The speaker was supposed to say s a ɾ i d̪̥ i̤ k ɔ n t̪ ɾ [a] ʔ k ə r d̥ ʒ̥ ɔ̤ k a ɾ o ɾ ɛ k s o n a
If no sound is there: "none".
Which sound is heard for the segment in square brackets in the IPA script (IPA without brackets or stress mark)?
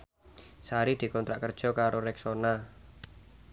a